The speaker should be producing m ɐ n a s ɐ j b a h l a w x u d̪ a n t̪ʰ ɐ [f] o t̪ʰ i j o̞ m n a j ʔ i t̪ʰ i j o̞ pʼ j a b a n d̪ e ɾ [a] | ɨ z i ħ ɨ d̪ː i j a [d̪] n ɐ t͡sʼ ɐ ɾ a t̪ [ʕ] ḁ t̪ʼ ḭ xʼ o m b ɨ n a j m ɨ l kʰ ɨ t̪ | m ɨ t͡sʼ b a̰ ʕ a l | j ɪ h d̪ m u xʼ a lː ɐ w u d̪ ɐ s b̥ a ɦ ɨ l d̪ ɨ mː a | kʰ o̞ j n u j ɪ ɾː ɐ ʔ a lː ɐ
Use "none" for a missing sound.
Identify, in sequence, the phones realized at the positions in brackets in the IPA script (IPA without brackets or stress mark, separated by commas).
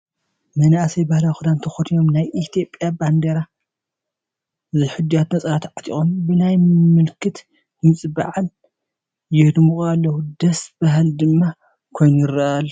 x, a, t̪, ʕ